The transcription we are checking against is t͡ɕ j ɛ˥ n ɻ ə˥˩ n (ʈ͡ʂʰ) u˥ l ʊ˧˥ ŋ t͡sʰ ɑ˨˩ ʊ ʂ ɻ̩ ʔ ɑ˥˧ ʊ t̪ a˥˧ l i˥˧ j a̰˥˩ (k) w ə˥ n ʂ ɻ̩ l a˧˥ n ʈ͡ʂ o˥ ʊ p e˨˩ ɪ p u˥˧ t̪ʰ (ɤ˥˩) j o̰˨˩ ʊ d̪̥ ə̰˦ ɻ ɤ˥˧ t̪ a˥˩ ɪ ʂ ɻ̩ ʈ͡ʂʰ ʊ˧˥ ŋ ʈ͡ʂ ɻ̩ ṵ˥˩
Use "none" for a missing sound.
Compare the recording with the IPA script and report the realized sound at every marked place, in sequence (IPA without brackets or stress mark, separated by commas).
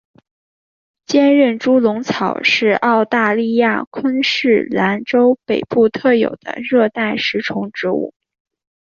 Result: ʈ͡ʂ, kʰ, ɤ˥˩